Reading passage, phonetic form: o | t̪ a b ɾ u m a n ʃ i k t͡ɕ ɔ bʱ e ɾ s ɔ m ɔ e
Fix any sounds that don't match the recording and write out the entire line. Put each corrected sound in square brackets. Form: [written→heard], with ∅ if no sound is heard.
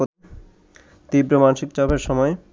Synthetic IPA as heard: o | t̪ [a→i] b ɾ [u→o] m a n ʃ i k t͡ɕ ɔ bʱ e ɾ [s→ʃ] ɔ m ɔ e